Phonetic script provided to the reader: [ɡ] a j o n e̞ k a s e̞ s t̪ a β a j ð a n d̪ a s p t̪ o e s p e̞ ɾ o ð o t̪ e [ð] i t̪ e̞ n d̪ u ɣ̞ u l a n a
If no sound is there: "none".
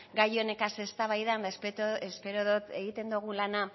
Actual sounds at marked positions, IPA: ɡ, ɣ

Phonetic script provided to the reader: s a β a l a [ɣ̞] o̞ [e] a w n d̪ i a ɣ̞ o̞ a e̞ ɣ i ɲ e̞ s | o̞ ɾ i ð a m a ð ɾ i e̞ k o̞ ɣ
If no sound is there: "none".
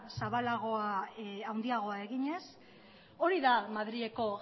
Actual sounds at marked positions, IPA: ɣ̞, a

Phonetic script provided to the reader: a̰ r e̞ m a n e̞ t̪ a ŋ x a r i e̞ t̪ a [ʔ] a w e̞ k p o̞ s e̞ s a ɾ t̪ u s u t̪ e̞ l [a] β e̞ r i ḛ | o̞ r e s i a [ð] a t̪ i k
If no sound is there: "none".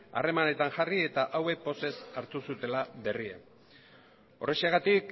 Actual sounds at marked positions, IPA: ʔ, a, ɣ

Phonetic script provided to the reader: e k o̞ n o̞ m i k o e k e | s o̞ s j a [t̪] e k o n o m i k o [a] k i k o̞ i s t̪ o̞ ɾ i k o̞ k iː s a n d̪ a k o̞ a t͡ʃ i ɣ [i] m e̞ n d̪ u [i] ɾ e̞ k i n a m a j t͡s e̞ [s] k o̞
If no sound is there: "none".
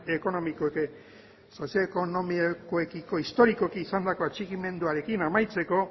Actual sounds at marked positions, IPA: none, e, i, a, none

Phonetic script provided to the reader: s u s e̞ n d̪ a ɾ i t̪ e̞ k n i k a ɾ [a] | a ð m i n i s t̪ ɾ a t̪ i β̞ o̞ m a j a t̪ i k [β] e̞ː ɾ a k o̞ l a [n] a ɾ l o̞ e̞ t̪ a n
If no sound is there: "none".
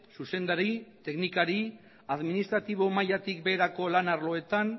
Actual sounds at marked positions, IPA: i, b, n

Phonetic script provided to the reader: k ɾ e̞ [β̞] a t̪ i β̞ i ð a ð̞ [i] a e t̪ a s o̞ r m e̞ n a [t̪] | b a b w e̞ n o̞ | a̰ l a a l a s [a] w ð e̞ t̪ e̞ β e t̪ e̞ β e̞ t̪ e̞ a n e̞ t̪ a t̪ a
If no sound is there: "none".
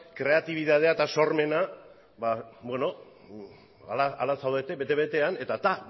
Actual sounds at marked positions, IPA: none, e, none, a

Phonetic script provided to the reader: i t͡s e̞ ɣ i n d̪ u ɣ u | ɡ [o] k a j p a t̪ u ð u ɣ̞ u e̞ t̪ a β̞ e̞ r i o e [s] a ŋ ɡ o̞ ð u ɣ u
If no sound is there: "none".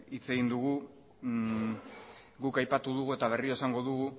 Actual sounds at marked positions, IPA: u, s

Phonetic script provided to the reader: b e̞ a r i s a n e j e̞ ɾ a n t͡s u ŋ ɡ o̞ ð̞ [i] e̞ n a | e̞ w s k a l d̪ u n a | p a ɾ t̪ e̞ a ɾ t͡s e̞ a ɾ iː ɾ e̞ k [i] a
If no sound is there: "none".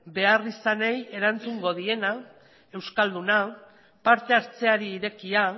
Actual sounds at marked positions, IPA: i, i

